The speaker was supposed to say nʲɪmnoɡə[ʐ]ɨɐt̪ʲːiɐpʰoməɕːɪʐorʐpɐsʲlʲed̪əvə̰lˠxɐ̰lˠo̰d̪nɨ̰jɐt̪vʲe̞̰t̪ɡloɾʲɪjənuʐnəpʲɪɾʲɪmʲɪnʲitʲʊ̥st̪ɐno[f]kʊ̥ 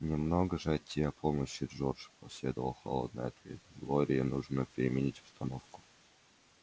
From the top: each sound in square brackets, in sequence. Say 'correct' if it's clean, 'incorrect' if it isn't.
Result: correct, correct

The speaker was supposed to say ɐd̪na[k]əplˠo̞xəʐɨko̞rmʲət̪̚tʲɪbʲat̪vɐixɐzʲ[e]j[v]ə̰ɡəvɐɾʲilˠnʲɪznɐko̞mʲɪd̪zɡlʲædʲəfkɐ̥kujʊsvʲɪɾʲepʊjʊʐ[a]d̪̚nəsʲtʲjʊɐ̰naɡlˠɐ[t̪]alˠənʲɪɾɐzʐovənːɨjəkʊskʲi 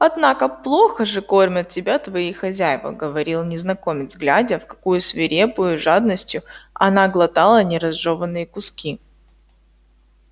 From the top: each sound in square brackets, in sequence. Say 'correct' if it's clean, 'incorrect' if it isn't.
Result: correct, incorrect, correct, correct, correct

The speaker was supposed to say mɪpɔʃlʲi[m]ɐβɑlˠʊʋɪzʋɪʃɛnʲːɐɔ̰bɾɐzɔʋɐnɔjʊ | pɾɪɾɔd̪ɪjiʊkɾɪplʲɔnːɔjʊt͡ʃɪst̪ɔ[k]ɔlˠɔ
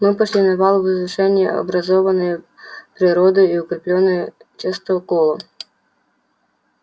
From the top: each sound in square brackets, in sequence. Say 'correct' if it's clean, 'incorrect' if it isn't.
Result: incorrect, correct

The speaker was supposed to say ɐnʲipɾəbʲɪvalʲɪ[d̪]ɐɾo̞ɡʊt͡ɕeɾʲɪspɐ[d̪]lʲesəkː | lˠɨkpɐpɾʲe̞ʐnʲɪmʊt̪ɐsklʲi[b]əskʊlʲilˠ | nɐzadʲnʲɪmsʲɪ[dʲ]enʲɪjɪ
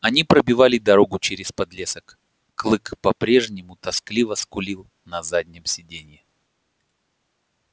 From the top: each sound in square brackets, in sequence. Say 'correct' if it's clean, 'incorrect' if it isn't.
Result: correct, correct, incorrect, correct

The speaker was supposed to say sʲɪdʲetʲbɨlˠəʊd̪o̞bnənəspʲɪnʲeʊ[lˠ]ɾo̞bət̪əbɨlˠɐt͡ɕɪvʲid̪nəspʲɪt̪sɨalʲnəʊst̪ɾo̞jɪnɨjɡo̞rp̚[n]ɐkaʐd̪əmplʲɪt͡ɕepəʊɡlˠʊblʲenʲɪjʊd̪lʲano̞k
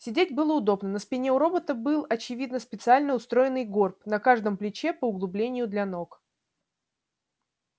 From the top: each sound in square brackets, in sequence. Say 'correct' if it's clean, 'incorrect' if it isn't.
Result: incorrect, correct

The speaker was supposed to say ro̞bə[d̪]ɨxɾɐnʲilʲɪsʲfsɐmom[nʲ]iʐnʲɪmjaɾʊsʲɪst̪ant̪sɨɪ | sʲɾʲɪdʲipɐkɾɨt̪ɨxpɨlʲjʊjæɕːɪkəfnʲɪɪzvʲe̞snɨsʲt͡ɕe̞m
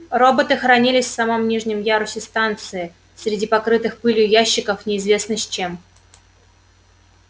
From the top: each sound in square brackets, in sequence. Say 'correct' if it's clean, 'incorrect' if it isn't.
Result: incorrect, correct

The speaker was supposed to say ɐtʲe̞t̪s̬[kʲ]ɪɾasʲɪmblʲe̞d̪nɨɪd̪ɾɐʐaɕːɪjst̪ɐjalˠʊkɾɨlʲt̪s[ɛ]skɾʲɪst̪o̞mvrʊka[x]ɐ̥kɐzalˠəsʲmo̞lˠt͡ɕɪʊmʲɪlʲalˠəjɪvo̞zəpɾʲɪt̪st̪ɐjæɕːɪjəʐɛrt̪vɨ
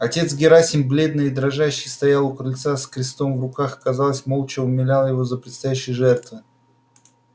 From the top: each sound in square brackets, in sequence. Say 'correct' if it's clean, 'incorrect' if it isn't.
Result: incorrect, incorrect, correct

